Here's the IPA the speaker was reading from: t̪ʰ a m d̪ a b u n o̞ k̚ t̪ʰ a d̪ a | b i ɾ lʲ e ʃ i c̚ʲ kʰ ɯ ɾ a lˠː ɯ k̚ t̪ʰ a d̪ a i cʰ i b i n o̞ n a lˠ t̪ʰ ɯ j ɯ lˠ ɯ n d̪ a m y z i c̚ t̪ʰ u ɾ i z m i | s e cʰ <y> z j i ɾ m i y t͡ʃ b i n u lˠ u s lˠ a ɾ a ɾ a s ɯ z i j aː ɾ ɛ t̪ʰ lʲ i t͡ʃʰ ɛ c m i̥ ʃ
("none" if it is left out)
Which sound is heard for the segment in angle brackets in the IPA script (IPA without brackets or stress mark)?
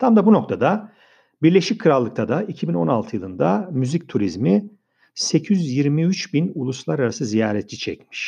y